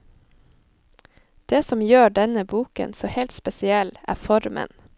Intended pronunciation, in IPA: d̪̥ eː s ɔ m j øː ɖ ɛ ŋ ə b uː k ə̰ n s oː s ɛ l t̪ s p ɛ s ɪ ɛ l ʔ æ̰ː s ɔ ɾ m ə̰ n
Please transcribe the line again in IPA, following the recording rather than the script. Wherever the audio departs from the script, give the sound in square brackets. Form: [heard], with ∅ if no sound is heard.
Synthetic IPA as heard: d̪̥ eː s ɔ m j øː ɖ ɛ [n] ə b uː k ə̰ n s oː [h] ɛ l t̪ s p ɛ s ɪ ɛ l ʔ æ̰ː [f] ɔ ɾ m ə̰ n